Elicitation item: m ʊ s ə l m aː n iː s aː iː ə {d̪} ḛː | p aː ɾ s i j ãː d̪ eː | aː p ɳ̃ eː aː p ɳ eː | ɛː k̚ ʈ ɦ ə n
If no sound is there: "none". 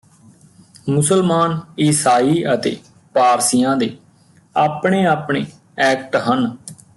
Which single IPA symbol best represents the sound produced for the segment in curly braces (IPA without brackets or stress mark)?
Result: t̪